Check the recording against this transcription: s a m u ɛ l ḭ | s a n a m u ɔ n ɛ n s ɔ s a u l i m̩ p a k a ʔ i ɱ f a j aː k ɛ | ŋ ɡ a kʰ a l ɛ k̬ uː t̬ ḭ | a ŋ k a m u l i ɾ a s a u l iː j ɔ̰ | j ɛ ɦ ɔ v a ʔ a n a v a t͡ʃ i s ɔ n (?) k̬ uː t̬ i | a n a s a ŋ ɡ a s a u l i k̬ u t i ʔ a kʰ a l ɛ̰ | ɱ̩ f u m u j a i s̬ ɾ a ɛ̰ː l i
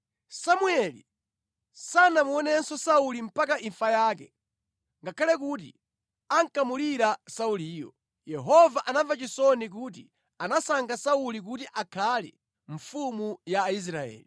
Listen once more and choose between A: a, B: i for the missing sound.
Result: B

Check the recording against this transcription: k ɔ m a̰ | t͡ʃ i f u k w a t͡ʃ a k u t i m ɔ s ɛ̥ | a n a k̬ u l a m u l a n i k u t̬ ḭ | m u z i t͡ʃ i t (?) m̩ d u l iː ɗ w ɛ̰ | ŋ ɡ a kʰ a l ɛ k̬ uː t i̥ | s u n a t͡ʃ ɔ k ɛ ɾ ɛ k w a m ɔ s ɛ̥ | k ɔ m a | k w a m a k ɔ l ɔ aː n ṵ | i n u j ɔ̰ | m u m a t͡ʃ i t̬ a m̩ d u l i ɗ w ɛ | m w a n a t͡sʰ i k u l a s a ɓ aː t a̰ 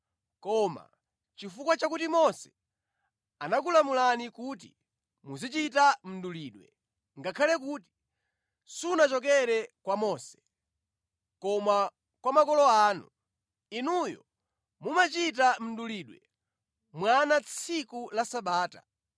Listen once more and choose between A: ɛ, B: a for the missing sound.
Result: B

